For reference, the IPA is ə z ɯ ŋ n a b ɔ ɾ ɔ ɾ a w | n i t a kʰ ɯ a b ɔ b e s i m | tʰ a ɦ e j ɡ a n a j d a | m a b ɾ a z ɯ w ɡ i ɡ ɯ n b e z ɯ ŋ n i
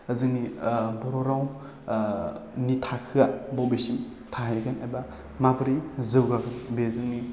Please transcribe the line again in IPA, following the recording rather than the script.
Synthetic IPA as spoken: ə z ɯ ŋ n i b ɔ ɾ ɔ ɾ a w | n i tʰ a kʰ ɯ a b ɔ b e s i m | tʰ a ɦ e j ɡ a n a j b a | m a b ɾ i z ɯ w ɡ a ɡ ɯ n b e z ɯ ŋ n i